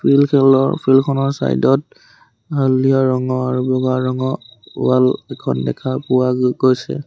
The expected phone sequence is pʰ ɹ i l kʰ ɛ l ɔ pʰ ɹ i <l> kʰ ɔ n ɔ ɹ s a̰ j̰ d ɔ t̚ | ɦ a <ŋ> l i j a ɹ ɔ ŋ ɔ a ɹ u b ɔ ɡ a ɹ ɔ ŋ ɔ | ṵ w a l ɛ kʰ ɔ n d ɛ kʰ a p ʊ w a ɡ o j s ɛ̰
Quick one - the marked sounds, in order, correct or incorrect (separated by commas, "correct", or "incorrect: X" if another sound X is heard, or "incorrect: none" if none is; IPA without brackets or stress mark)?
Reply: correct, incorrect: none